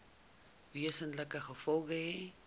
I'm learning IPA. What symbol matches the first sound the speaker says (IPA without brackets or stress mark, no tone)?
v